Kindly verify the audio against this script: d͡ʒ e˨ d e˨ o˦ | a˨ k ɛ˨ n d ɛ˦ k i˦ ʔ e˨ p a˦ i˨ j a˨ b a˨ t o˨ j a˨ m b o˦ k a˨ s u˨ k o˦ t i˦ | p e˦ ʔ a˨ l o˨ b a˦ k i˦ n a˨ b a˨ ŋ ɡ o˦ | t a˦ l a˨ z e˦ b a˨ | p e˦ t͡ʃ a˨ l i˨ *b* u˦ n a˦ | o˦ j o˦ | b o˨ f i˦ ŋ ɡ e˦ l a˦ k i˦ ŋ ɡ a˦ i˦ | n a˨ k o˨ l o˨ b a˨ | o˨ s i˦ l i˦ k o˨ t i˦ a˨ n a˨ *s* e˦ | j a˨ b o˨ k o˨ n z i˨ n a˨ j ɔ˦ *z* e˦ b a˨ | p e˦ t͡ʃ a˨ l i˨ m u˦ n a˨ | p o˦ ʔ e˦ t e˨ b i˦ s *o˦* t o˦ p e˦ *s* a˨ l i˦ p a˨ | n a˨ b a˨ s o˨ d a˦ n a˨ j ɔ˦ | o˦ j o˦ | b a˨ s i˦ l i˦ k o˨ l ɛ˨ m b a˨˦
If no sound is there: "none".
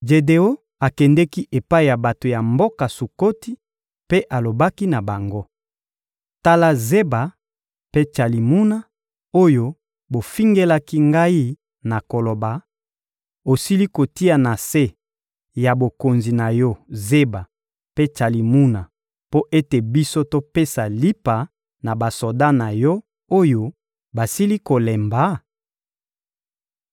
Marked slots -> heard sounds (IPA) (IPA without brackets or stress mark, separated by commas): m, s, z, o˦, s